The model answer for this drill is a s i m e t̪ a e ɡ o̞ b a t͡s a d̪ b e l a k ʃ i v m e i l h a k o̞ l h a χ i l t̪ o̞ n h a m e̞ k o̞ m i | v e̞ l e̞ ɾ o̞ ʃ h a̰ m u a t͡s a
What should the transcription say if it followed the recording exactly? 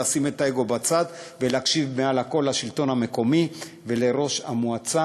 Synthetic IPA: a s i m e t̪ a e ɡ o̞ b a t͡s a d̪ v e l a k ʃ i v m e a l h a k o̞ l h a ʃ i l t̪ o̞ n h a m e̞ k o̞ m i | v e̞ l e̞ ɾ o̞ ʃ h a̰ m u a t͡s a